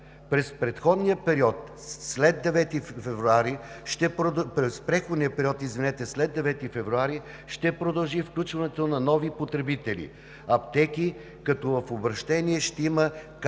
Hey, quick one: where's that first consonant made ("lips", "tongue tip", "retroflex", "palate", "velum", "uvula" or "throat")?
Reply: lips